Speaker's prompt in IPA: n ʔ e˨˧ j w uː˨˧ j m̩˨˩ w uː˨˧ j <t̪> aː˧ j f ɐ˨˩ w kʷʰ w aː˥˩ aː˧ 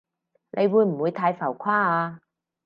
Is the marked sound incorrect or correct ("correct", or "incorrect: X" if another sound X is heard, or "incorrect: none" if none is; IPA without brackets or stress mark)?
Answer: incorrect: t̪ʰ